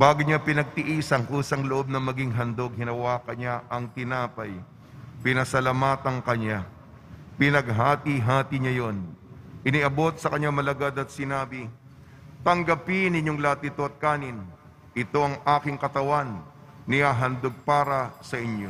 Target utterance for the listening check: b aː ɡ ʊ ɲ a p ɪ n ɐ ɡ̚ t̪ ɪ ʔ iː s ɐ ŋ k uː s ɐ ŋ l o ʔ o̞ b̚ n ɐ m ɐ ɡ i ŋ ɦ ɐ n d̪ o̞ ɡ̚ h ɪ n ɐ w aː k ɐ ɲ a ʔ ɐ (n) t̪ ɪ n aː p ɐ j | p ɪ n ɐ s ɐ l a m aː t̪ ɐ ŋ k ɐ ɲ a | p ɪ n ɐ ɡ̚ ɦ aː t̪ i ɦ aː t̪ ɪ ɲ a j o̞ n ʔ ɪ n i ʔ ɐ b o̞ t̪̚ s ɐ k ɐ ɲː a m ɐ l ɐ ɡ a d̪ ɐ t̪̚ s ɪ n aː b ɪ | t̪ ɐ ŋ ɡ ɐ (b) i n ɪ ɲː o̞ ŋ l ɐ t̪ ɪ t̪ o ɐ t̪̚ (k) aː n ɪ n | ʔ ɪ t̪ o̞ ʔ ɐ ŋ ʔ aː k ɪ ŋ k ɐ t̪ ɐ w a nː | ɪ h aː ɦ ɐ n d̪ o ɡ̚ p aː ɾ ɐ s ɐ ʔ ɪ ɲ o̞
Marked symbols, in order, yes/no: no, no, yes

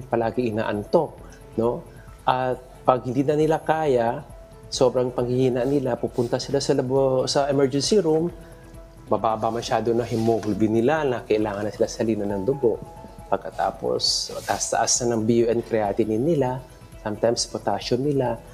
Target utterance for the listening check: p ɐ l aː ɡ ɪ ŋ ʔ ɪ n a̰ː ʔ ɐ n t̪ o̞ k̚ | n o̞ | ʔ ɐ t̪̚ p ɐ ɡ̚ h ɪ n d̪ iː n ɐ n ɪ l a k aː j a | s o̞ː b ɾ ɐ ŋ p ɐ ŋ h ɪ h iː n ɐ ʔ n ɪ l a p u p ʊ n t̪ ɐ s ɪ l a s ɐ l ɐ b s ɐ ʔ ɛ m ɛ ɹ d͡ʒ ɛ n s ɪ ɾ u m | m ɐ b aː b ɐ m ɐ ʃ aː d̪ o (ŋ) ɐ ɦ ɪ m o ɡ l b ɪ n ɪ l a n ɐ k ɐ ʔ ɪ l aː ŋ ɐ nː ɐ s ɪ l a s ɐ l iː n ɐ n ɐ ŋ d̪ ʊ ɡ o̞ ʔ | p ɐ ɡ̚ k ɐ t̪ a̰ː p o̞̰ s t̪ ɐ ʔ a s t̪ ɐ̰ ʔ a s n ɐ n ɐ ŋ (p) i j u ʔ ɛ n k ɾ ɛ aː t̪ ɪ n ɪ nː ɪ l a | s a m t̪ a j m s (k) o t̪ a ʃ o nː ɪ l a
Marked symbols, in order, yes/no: no, no, no

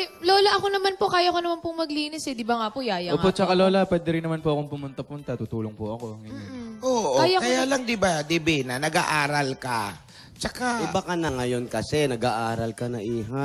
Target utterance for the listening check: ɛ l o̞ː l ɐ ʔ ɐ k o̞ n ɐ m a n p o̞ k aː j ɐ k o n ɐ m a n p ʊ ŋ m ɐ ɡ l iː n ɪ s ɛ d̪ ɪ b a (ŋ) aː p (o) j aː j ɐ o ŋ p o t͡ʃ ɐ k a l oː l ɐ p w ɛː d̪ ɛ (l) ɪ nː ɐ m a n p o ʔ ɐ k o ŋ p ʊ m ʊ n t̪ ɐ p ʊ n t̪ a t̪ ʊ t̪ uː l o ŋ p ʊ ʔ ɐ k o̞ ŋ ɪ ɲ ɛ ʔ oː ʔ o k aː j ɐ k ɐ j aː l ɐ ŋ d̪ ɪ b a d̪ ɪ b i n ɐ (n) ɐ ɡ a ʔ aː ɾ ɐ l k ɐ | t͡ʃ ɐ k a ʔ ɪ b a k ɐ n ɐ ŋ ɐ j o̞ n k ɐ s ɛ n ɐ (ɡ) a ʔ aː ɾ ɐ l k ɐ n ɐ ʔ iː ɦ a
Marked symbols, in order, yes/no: yes, yes, no, yes, yes

